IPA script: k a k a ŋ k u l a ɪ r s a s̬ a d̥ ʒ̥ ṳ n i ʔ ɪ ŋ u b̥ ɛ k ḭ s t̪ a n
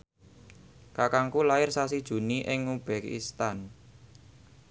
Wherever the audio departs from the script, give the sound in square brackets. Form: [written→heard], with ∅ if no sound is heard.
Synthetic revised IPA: k a k a ŋ k u l a ɪ r s a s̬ [a→i] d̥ ʒ̥ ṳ n i ʔ ɪ ŋ u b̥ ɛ k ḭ s t̪ a n